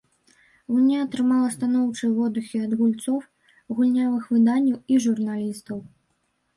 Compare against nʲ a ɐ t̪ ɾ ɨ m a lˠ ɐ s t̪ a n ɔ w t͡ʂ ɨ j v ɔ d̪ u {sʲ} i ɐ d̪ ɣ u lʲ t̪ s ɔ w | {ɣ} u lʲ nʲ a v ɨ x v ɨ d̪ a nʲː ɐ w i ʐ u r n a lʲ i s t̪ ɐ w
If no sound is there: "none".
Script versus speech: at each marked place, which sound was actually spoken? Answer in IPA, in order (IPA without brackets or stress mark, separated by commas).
xʲ, ɣ